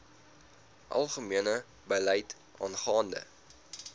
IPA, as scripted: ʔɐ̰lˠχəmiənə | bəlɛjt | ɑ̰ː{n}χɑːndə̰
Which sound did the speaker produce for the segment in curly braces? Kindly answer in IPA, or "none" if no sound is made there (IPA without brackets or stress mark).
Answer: n